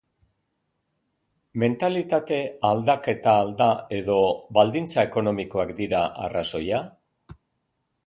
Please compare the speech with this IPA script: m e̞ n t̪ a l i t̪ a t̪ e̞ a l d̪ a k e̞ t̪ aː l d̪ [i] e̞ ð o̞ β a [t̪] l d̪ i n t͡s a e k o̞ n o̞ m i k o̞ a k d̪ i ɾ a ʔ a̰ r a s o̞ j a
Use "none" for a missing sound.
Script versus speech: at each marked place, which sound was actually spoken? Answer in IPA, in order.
a, none

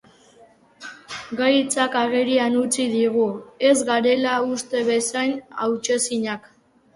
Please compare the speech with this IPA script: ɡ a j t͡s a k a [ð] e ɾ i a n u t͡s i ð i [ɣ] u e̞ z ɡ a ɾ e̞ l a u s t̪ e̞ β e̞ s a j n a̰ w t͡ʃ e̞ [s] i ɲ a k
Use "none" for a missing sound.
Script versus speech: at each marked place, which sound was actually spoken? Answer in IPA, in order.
ɣ, ɣ, s

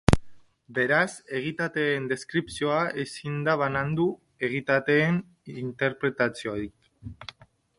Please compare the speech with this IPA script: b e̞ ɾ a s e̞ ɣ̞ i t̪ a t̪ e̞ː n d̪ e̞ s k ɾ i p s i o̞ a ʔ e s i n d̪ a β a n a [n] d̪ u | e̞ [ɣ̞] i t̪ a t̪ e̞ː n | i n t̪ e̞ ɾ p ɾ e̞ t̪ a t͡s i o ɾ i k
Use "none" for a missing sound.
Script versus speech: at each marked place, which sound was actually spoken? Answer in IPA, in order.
n, ɣ̞

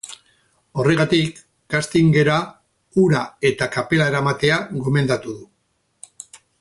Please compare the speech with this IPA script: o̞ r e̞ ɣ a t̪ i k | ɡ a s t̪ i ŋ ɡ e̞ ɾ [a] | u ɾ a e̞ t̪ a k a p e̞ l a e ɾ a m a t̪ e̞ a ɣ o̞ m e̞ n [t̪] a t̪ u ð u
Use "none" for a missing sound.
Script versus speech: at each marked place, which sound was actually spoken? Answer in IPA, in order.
a, d̪

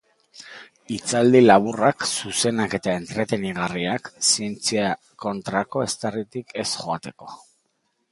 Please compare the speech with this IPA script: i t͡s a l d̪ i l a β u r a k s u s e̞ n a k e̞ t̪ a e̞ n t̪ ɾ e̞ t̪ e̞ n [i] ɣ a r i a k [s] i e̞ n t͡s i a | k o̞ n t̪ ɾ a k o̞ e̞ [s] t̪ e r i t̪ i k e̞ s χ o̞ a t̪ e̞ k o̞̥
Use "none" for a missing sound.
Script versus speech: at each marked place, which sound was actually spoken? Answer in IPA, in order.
i, s, s

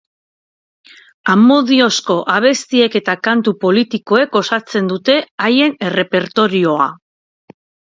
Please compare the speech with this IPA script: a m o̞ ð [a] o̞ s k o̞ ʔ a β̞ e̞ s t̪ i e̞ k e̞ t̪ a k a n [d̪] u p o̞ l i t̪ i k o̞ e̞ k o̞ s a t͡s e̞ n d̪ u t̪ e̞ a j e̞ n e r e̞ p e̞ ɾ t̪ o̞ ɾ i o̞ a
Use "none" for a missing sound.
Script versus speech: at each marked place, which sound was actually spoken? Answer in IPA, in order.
i, t̪

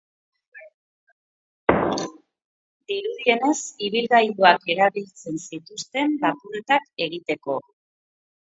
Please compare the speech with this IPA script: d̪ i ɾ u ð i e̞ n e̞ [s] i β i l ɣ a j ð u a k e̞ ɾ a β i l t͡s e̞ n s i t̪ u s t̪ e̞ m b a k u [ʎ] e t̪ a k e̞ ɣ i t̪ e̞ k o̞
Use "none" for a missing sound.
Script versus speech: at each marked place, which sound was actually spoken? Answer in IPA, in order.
s, ɾ

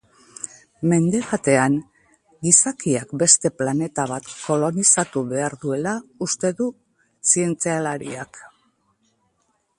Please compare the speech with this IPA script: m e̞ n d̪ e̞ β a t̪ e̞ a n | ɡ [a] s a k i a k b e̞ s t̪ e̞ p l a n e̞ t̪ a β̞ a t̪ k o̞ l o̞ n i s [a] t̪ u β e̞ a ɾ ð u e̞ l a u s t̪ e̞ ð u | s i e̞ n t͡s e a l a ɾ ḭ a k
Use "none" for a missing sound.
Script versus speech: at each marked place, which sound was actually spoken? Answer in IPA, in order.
i, a

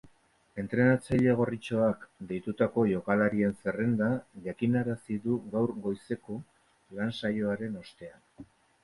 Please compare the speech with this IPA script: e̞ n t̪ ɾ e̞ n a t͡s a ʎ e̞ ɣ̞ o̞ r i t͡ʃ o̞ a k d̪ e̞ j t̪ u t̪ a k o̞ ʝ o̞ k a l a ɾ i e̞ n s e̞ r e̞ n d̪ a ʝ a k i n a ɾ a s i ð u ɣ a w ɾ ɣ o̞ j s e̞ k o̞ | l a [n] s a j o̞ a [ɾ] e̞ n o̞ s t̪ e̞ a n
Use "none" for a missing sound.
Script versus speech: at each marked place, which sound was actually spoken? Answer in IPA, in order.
n, ɾ

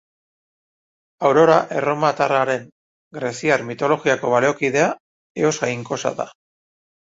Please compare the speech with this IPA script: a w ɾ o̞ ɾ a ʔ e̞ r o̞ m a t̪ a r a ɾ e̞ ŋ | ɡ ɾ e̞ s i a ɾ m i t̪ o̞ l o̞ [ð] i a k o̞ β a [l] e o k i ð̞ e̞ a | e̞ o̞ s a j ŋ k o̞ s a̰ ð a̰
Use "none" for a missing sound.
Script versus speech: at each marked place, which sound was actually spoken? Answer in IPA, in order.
ɣ, l

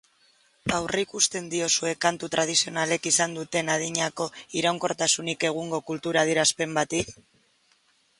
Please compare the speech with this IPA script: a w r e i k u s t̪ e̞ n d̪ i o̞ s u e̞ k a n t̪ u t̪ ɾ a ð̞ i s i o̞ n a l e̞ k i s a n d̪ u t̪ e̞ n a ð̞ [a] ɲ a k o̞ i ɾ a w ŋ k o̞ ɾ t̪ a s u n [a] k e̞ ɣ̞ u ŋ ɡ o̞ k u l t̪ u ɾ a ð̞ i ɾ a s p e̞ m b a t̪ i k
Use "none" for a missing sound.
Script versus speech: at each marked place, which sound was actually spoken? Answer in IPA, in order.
i, i

